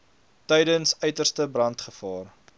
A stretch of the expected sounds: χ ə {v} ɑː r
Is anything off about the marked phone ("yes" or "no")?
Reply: yes